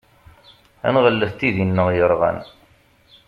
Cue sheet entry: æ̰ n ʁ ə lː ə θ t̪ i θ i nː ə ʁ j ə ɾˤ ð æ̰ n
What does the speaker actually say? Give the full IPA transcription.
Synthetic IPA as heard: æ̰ n ʁ ə lː ə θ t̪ i ð i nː ə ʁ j ə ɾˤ ʁ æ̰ n